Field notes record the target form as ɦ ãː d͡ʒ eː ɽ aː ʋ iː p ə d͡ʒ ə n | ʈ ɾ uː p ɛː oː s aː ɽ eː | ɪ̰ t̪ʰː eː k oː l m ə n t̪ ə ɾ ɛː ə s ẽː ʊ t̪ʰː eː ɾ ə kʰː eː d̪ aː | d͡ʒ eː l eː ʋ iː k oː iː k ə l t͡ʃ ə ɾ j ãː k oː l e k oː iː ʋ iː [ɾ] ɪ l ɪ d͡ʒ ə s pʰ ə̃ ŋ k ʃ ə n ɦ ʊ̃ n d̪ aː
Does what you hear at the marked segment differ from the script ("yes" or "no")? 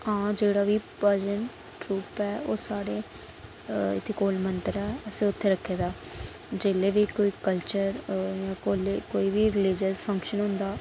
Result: no